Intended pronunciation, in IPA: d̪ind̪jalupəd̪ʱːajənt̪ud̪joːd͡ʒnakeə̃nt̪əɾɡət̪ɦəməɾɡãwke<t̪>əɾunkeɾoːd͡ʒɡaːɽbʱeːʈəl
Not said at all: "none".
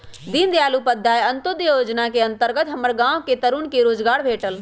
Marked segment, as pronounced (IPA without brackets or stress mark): t̪